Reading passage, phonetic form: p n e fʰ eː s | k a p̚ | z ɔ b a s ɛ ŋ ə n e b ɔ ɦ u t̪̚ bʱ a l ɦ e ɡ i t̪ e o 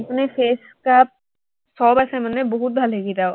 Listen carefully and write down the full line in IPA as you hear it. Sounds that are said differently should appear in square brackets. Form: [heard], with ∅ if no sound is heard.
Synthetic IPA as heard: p n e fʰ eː s | k a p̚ | [s] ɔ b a s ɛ [m] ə n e b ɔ ɦ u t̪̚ bʱ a l ɦ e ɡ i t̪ [a] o